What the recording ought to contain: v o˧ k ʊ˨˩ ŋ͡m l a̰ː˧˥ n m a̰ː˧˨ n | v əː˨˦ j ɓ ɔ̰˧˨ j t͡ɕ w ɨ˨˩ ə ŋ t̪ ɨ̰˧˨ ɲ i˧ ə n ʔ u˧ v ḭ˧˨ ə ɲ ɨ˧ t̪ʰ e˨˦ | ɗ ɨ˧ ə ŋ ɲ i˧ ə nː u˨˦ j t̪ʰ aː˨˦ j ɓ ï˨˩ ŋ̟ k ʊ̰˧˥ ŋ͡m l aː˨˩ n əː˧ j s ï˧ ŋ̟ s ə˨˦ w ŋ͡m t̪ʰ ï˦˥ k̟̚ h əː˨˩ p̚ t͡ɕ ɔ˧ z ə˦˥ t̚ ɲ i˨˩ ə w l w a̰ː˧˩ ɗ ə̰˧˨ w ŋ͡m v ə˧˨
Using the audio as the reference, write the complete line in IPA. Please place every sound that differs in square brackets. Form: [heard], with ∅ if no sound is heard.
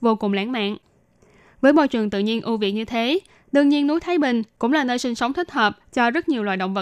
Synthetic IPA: v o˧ k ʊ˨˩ ŋ͡m l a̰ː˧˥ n m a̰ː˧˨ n | v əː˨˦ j ɓ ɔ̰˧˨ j t͡ɕ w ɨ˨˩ ə ŋ t̪ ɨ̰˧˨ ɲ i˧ ə n ʔ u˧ v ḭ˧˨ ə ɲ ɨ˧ t̪ʰ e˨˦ | ɗ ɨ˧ ə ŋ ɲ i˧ ə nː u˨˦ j t̪ʰ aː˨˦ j ɓ ï˨˩ ŋ̟ k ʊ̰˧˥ ŋ͡m l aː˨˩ n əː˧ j s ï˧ ŋ̟ s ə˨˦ w ŋ͡m t̪ʰ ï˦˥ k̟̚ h əː˨˩ p̚ t͡ɕ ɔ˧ z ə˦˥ t̚ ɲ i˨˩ ə w l w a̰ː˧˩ ɗ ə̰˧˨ w ŋ͡m v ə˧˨